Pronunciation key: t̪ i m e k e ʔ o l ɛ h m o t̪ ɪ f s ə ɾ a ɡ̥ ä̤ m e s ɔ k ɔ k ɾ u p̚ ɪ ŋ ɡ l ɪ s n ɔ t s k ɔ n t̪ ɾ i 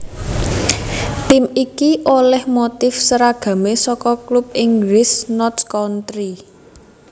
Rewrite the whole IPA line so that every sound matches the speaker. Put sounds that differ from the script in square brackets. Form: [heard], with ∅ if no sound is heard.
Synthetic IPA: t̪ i m [i] k [i] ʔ o l ɛ h m o t̪ ɪ f s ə ɾ a ɡ̥ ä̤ m e s ɔ k ɔ k [l] u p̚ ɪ ŋ ɡ l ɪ s n ɔ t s k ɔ n t̪ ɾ i